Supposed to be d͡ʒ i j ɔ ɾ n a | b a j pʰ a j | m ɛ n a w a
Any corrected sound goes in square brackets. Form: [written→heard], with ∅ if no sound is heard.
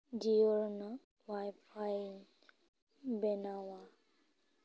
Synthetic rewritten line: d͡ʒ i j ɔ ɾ n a | [b→w] a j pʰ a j | [m→b] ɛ n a w a